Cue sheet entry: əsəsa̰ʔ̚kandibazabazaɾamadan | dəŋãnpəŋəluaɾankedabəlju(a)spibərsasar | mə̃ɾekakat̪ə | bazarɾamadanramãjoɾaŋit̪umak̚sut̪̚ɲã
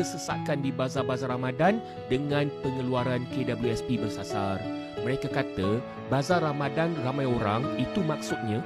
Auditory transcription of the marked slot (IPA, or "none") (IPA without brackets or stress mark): ɛ